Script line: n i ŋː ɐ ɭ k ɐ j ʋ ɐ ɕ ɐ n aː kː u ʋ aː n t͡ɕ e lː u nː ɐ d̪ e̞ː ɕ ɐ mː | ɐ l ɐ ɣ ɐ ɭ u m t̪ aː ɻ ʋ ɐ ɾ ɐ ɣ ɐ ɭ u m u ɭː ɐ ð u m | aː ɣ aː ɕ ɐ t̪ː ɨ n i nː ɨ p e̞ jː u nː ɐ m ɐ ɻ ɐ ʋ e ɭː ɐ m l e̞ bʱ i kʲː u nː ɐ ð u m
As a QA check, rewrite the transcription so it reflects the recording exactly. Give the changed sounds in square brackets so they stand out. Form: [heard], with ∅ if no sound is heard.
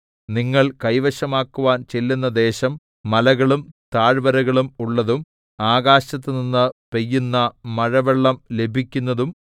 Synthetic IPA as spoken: n i ŋː ɐ ɭ k ɐ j ʋ ɐ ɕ ɐ [m] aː kː u ʋ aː n t͡ɕ e lː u nː ɐ d̪ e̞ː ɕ ɐ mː | ɐ l ɐ ɣ ɐ ɭ u m t̪ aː ɻ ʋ ɐ ɾ ɐ ɣ ɐ ɭ u m u ɭː ɐ ð u m | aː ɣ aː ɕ ɐ t̪ː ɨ n i nː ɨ p e̞ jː u nː ɐ m ɐ ɻ ɐ ʋ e ɭː ɐ m l e̞ bʱ i kʲː u nː ɐ ð u m